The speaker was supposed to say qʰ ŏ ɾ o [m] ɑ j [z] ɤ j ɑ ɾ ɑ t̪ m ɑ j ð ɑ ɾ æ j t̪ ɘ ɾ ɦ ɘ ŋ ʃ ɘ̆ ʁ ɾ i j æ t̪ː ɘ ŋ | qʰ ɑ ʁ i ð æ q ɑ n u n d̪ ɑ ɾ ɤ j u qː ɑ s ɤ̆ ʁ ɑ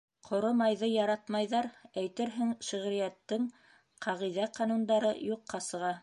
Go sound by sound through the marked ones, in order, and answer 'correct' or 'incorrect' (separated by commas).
correct, incorrect